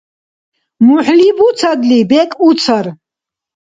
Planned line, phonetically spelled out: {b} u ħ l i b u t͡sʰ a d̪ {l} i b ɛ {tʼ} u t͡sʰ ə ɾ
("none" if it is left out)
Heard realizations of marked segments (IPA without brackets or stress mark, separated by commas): m, l, kʼ